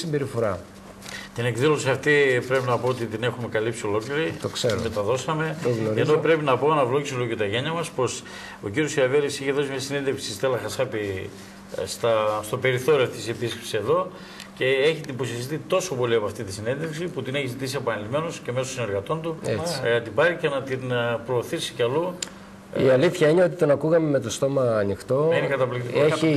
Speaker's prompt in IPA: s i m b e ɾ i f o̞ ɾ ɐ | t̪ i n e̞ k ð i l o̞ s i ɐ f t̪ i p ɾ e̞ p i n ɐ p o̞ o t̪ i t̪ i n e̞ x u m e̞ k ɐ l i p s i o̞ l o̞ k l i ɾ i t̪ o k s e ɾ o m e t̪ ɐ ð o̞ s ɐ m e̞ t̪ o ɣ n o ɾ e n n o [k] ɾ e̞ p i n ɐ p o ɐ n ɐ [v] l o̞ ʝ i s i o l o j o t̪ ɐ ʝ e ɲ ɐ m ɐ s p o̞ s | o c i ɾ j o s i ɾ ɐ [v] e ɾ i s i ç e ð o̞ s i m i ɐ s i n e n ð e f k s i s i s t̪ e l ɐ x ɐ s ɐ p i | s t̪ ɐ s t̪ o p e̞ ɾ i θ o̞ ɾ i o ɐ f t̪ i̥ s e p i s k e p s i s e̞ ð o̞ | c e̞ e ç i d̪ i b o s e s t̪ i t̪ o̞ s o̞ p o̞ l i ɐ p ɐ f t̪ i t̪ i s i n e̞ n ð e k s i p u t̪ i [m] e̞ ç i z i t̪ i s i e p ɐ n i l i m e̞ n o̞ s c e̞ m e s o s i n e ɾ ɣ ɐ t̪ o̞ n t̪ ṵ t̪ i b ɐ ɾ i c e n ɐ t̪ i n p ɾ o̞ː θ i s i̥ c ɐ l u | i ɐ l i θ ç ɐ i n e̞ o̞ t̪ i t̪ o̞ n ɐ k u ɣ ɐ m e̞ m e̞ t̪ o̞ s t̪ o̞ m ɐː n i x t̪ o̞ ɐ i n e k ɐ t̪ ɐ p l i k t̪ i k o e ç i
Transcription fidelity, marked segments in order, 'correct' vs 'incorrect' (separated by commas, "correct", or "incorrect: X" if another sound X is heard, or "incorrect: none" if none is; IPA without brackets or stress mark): incorrect: p, correct, correct, incorrect: n